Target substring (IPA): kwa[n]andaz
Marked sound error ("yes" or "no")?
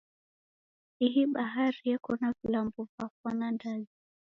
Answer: no